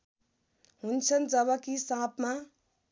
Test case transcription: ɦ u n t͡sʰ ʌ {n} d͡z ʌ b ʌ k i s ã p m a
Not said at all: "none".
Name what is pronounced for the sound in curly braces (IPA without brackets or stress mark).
n